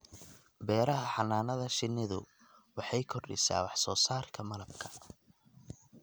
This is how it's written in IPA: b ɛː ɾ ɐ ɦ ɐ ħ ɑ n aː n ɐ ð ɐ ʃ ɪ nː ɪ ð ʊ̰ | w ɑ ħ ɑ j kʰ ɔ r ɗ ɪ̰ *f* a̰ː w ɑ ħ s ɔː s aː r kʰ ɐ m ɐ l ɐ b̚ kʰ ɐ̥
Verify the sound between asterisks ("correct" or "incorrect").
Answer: incorrect